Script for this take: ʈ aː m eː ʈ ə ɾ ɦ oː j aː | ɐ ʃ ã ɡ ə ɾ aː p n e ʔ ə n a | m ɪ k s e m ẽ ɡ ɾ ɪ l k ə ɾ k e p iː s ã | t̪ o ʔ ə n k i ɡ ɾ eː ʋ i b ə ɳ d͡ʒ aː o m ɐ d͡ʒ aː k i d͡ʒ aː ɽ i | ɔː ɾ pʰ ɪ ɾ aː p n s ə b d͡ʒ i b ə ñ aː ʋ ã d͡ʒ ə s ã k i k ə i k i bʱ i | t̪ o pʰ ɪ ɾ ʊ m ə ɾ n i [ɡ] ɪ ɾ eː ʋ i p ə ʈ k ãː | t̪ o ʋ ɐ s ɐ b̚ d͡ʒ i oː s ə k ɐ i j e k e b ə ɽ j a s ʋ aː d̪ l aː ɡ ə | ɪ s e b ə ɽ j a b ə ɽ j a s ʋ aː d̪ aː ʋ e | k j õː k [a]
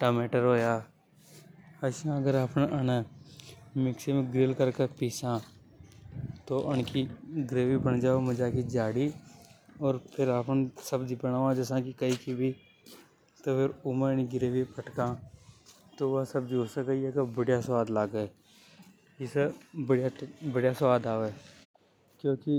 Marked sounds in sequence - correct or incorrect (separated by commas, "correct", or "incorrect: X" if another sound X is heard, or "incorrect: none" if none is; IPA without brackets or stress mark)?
correct, incorrect: i